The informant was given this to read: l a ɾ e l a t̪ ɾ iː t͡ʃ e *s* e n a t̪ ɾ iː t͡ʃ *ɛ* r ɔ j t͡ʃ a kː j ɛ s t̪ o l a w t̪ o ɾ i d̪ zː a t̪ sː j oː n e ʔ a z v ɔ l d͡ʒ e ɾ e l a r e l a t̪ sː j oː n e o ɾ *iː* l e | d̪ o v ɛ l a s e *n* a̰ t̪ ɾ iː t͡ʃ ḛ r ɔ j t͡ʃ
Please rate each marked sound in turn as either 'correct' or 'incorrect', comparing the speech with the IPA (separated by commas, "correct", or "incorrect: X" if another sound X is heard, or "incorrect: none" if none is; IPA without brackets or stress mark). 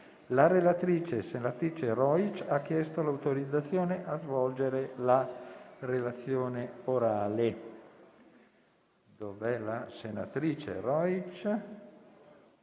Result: correct, incorrect: e, incorrect: aː, correct